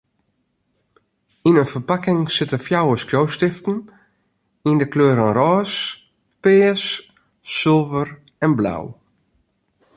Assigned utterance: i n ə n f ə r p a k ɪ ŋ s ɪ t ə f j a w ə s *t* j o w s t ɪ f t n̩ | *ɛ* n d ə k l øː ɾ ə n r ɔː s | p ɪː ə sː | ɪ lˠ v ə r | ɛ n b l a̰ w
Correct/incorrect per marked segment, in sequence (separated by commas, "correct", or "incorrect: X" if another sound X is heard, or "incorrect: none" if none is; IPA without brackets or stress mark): incorrect: k, incorrect: i